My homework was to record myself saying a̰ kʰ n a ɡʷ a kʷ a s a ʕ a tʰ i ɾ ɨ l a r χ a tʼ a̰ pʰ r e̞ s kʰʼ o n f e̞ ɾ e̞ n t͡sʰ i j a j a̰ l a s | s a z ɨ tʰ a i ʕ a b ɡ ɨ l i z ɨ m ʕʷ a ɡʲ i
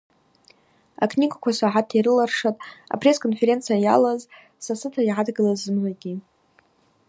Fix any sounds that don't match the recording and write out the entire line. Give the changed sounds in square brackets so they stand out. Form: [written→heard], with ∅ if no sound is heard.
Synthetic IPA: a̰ kʰ n [a→i] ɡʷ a kʷ a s a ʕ a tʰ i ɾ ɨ l a r [χ→ʂ] a tʼ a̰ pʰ r e̞ s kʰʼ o n f e̞ ɾ e̞ n t͡sʰ i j a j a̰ l a [s→z] | s a [z→s] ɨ tʰ a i ʕ a [b→d] ɡ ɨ l [i→a] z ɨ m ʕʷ a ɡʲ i